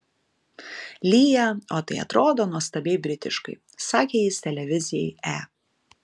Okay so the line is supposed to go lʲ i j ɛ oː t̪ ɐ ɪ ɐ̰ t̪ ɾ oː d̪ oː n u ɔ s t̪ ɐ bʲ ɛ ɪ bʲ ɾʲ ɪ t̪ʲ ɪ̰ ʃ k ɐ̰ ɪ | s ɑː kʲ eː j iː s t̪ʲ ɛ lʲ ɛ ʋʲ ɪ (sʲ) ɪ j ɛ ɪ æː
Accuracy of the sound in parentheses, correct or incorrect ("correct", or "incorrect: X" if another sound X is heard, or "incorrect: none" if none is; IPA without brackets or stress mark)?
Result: incorrect: zʲ